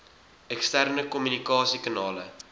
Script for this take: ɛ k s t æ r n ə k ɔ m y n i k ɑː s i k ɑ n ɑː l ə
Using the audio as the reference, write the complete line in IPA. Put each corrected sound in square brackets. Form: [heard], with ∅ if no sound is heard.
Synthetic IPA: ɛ k s t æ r n ə k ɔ m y n i k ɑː s i k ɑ n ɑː l ə